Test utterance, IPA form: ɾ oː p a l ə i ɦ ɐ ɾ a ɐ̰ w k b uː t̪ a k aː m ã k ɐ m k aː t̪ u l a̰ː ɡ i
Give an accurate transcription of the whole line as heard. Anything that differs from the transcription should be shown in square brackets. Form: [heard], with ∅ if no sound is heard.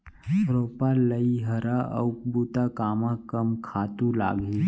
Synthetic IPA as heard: ɾ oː p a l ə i ɦ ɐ ɾ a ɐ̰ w k b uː t̪ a k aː m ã k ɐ m [kʰ] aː t̪ u l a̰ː ɡ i